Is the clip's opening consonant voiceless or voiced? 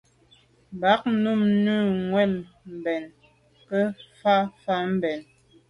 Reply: voiced